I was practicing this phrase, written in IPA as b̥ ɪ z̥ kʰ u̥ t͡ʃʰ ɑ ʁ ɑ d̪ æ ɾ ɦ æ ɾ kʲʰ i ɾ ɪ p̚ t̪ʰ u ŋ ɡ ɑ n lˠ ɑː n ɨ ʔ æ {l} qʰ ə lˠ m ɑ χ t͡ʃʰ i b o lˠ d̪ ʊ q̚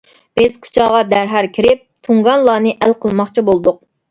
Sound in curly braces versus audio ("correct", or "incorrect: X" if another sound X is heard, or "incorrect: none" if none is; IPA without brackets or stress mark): correct